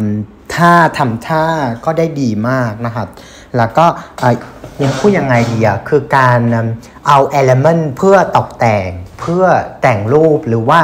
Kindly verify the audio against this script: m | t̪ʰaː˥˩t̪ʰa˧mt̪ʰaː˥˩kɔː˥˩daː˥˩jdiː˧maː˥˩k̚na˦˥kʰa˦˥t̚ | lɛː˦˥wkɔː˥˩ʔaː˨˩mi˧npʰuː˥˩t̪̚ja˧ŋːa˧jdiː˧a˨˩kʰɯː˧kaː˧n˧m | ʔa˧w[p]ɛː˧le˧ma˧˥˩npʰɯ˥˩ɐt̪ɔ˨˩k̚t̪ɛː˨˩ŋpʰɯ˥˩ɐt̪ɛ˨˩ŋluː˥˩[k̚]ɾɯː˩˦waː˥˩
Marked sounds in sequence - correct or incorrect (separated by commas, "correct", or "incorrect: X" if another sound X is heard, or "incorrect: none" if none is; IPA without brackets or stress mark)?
incorrect: ʔ, incorrect: p̚